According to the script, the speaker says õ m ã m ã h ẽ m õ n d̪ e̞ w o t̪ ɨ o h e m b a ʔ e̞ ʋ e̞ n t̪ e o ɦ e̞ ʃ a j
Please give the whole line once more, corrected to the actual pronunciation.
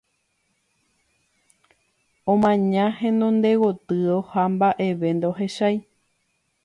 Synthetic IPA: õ m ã ɲ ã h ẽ n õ n d̪ e̞ w o t̪ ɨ o h a m b a ʔ e̞ ʋ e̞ n d̪ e o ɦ e̞ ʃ a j